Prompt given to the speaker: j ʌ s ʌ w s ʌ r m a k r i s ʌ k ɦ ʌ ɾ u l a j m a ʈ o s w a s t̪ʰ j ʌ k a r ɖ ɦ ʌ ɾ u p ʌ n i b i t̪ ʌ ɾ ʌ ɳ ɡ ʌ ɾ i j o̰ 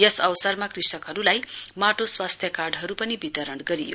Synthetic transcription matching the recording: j ʌ s ʌ w s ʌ r m a k r i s ʌ k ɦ ʌ ɾ u l a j m a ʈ o s w a s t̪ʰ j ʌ k a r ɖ ɦ ʌ ɾ u p ʌ n i b i t̪ ʌ ɾ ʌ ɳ ɡ ʌ ɾ i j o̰